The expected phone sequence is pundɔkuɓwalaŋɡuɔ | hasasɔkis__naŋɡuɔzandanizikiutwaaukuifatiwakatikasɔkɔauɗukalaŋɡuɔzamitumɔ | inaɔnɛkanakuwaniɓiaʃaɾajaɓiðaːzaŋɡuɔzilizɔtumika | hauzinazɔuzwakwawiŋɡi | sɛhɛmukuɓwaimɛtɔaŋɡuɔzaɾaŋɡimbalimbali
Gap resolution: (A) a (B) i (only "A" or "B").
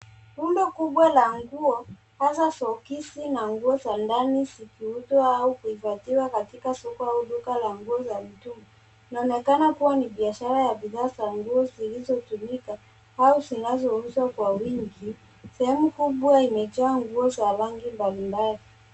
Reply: B